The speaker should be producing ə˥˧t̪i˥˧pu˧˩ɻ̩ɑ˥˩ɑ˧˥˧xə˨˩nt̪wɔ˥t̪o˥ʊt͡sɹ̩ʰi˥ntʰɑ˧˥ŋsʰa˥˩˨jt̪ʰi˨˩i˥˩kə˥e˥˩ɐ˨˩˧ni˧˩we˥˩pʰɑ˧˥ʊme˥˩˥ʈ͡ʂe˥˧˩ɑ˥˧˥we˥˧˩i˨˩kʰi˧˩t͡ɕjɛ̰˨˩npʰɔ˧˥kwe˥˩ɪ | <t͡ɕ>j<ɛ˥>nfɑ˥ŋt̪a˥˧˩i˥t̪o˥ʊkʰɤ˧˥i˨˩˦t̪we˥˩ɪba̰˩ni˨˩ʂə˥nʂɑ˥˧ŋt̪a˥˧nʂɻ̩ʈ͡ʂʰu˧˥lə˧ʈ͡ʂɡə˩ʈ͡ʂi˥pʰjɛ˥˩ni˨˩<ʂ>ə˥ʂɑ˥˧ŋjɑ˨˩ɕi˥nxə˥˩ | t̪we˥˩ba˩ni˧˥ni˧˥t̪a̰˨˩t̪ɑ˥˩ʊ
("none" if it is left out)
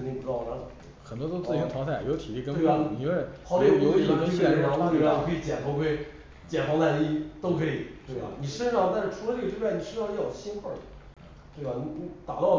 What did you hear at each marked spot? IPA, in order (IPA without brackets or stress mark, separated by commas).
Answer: t͡ɕ, ɛ˨˩, ʂ